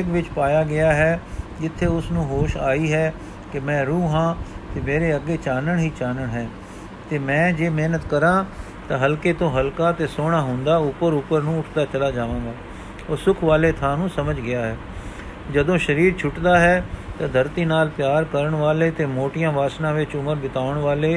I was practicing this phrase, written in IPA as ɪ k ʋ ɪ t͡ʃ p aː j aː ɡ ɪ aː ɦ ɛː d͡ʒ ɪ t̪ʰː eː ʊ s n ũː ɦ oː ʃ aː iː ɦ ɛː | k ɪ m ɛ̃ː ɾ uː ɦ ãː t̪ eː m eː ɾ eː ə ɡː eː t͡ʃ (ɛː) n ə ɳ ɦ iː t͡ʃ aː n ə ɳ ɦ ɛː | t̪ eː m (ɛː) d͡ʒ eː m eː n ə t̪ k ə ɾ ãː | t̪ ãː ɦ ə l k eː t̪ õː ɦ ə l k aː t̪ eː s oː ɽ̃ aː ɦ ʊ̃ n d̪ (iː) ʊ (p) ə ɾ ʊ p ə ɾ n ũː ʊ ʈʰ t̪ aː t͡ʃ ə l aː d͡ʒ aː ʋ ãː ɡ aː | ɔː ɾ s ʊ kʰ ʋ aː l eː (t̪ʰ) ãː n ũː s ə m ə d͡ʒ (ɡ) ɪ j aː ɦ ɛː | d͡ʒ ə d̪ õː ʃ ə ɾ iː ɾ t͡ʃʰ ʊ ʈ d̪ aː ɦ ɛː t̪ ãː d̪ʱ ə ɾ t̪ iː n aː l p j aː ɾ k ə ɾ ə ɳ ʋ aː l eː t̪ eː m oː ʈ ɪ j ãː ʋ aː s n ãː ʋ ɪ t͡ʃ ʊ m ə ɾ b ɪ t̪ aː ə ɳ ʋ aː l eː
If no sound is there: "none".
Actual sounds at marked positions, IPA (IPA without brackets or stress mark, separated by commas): aː, ɛ̃ː, aː, p, t̪ʰ, ɡ